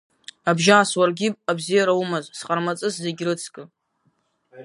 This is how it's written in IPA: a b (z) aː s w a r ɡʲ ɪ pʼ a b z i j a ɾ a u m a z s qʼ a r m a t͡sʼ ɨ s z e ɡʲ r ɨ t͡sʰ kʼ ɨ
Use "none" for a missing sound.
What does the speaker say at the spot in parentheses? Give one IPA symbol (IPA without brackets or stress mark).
ʒ